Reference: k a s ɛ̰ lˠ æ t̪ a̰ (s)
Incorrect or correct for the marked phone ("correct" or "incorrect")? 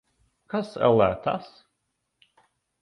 correct